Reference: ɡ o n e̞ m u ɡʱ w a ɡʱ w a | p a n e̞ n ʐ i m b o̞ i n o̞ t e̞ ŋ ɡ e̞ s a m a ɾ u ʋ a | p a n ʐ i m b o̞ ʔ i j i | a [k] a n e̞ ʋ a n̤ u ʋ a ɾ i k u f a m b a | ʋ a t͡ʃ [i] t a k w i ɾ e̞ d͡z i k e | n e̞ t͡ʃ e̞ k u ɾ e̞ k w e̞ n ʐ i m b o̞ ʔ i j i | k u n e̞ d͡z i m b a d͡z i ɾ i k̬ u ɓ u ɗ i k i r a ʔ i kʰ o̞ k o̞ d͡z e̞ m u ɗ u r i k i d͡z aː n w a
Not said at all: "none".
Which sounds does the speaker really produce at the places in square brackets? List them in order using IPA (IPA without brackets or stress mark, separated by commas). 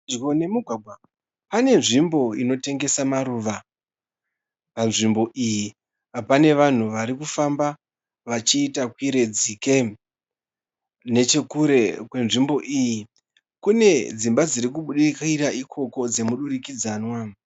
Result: p, iː